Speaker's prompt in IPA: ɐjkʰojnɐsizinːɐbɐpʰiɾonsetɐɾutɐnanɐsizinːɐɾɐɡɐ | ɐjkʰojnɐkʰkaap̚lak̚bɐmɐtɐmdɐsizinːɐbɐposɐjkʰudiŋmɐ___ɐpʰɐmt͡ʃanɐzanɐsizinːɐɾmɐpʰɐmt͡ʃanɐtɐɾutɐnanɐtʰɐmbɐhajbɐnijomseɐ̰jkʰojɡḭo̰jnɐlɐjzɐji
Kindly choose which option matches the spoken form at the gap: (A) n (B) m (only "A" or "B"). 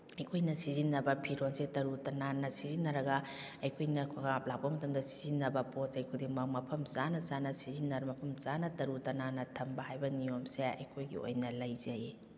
B